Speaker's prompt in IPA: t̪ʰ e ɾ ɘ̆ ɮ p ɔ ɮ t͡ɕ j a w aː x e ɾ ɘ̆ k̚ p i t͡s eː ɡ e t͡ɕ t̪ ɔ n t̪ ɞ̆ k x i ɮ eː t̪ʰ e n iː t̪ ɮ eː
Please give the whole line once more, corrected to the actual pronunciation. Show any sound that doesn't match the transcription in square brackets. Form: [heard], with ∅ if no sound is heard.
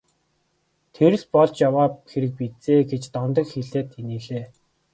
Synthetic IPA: t̪ʰ e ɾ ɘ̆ ɮ p ɔ ɮ t͡ɕ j a w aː x e ɾ ɘ̆ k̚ p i t͡s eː ɡ e t͡ɕ t̪ ɔ n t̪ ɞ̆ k x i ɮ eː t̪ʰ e n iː [∅] ɮ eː